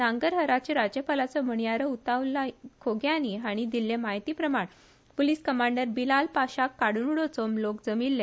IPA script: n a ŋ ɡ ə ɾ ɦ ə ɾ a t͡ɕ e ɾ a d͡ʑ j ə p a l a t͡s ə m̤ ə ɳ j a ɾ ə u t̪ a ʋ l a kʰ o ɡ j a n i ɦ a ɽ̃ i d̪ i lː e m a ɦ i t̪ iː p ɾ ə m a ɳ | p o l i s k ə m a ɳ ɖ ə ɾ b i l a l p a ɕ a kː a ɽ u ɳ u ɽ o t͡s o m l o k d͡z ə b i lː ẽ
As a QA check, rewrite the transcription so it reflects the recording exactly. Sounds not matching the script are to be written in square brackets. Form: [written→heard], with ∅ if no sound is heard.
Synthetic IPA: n a ŋ ɡ ə ɾ ɦ ə ɾ a t͡ɕ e ɾ a d͡ʑ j ə p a l a t͡s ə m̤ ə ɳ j a ɾ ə u t̪ a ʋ l a kʰ o ɡ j a n i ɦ a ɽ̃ i d̪ i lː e m a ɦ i t̪ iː p ɾ ə m a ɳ | p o l i s k ə m a ɳ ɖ ə ɾ b i l a l p a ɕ a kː a ɽ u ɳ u ɽ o t͡s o m l o k d͡z ə [b→m] i lː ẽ